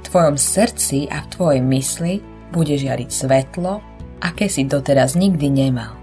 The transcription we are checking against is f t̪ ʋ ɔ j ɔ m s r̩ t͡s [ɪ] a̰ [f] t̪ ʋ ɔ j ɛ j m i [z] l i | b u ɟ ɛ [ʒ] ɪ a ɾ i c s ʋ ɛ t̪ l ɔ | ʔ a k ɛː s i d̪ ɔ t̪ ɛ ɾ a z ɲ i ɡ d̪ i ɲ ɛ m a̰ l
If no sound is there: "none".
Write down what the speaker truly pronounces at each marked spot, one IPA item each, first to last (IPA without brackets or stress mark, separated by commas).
i, f, s, ʒ